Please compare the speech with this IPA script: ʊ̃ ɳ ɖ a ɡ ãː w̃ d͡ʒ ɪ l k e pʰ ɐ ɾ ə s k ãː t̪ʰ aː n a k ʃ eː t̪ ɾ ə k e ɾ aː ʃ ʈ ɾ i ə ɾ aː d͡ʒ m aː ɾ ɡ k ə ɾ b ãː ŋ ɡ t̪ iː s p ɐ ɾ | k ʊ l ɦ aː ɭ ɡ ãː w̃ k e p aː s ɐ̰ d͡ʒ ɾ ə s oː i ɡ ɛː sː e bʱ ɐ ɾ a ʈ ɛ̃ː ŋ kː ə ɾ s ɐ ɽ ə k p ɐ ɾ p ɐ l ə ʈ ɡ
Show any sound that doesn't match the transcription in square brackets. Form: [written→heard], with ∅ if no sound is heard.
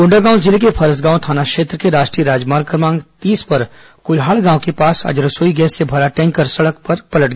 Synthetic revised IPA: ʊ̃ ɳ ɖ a ɡ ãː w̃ d͡ʒ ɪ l k e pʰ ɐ ɾ ə s [k→ɡ] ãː t̪ʰ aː n a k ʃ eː t̪ ɾ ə k e ɾ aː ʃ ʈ ɾ i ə ɾ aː d͡ʒ m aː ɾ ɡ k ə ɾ [b→m] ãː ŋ ɡ t̪ iː s p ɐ ɾ | k ʊ l ɦ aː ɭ ɡ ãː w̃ k e p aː s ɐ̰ d͡ʒ ɾ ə s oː i ɡ ɛː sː e bʱ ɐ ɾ a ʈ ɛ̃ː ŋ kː ə ɾ s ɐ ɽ ə k p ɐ ɾ p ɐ l ə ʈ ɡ

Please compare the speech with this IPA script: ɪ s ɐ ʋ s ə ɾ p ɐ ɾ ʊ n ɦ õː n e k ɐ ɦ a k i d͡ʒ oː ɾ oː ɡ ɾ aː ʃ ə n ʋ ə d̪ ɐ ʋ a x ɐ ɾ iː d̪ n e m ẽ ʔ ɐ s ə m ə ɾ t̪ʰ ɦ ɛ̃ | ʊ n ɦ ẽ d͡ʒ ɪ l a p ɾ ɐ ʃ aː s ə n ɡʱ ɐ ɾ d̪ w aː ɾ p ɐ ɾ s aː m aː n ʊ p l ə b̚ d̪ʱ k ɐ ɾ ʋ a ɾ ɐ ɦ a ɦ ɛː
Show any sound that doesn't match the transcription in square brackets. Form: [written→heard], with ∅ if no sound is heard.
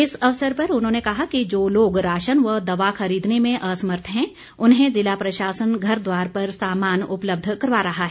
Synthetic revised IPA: ɪ s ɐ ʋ s ə ɾ p ɐ ɾ ʊ n ɦ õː n e k ɐ ɦ a k i d͡ʒ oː [ɾ→l] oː ɡ ɾ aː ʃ ə n ʋ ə d̪ ɐ ʋ a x ɐ ɾ iː d̪ n e m ẽ ʔ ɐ s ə m ə ɾ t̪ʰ ɦ ɛ̃ | ʊ n ɦ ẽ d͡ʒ ɪ l a p ɾ ɐ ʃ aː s ə n ɡʱ ɐ ɾ d̪ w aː ɾ p ɐ ɾ s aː m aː n ʊ p l ə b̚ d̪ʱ k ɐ ɾ ʋ a ɾ ɐ ɦ a ɦ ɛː

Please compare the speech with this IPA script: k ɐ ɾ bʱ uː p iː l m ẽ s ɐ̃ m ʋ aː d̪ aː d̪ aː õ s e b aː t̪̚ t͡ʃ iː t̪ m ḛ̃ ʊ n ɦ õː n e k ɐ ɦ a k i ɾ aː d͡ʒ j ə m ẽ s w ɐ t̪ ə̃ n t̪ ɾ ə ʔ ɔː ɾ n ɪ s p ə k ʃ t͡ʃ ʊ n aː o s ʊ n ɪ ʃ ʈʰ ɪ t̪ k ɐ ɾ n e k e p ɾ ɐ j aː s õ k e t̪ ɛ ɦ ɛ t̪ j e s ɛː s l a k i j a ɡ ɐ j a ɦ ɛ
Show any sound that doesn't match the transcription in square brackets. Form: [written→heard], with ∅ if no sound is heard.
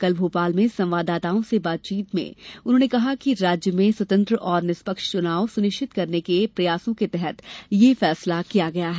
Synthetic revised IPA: k ɐ [ɾ→l] bʱ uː p [iː→aː] l m ẽ s ɐ̃ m ʋ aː d̪ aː [d̪→t̪] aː õ s e b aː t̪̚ t͡ʃ iː t̪ m ḛ̃ ʊ n ɦ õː n e k ɐ ɦ a k i ɾ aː d͡ʒ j ə m ẽ s w ɐ t̪ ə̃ n t̪ ɾ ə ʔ ɔː ɾ n ɪ s p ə k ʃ t͡ʃ ʊ n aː o s ʊ n ɪ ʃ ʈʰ ɪ t̪ k ɐ ɾ n e k e p ɾ ɐ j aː s õ k e t̪ ɛ ɦ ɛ t̪ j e [s→f] ɛː s l a k i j a ɡ ɐ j a ɦ ɛ

